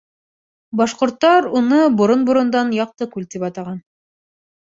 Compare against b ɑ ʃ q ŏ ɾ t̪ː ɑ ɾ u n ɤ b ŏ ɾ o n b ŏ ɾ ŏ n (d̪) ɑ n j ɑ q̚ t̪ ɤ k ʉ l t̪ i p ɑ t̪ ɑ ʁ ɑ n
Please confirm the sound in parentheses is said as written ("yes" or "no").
yes